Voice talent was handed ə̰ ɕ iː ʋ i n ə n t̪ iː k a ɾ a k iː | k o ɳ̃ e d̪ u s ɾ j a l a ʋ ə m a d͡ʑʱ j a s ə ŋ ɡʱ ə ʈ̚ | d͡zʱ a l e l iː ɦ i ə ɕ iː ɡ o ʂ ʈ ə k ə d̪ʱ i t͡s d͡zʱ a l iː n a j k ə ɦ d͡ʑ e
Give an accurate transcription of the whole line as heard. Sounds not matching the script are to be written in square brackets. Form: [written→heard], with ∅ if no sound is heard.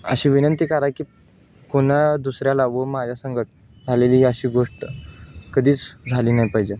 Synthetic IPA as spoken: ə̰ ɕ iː ʋ i n ə n t̪ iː k a ɾ a k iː | k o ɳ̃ [e→a] d̪ u s ɾ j a l a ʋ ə m a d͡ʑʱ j a s ə ŋ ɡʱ ə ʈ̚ | d͡zʱ a l e l iː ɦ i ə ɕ iː ɡ o ʂ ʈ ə k ə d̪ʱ [i→iː] t͡s d͡zʱ a l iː n a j [k→p] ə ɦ d͡ʑ e